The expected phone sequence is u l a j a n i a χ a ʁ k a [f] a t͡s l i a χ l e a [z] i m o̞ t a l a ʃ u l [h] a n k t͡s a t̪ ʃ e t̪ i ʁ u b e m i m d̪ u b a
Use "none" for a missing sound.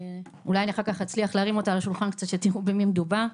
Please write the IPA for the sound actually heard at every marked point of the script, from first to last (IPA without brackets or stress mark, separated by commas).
χ, ʁ, χ